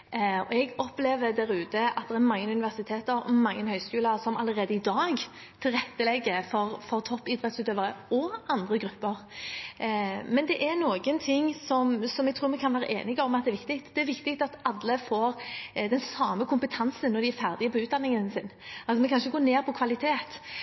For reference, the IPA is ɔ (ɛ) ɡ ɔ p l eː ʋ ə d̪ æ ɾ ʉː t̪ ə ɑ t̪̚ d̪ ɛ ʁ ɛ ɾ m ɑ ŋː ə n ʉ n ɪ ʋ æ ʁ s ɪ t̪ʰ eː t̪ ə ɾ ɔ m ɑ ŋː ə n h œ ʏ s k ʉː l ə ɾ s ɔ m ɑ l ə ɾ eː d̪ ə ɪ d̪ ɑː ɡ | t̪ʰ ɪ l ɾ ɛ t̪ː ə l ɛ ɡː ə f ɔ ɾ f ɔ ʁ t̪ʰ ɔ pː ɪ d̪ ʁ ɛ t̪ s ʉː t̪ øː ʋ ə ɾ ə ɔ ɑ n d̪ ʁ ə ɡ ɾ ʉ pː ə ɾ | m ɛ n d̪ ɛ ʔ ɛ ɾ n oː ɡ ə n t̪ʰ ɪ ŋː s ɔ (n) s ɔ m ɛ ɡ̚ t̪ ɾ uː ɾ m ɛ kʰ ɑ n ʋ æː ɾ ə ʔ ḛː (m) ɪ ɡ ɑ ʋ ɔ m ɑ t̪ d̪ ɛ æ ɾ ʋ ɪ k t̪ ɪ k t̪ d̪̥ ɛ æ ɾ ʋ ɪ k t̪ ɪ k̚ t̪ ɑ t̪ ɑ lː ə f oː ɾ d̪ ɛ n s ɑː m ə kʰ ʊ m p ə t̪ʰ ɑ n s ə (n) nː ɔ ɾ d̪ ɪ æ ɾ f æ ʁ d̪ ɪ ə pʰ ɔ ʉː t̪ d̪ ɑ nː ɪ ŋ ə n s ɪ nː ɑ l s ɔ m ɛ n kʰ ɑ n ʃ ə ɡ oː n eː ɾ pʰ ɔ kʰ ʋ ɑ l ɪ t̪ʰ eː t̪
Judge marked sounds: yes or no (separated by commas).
yes, no, no, yes